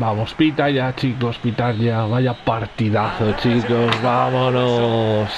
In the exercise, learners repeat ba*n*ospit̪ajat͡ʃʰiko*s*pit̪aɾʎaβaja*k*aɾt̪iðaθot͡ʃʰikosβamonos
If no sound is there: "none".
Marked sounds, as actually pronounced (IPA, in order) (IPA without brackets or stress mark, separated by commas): m, s, p